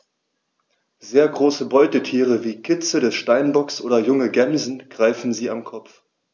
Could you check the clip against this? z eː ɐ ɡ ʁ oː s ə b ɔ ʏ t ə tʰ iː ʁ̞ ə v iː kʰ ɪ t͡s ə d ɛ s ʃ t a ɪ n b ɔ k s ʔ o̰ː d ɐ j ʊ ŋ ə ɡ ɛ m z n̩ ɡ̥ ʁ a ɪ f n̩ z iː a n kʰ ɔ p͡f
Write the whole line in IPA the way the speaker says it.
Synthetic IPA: z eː ɐ ɡ ʁ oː s ə b ɔ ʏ t ə tʰ iː ʁ̞ ə v iː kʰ ɪ t͡s ə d ɛ s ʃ t a ɪ n b ɔ k s ʔ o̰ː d ɐ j ʊ ŋ ə ɡ ɛ m z n̩ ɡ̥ ʁ a ɪ f n̩ z iː a m kʰ ɔ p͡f